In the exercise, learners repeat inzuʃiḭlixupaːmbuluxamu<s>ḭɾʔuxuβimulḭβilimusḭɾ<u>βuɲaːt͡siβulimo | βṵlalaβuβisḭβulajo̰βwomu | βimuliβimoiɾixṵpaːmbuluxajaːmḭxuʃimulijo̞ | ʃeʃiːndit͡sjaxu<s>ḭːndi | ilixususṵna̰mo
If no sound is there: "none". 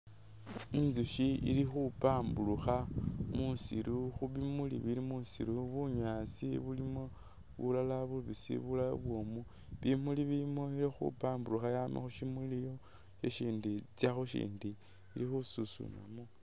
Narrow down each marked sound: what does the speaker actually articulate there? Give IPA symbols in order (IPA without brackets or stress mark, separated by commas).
s, u, ʃ